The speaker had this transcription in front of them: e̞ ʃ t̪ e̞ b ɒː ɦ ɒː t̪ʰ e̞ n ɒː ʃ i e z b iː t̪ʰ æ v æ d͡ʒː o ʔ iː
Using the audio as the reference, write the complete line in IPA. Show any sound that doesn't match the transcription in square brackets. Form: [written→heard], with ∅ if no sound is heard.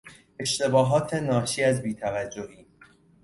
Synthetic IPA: e̞ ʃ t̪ e̞ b ɒː ɦ ɒː t̪ʰ e̞ n ɒː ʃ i [e→æ] z b iː t̪ʰ æ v æ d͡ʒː o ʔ iː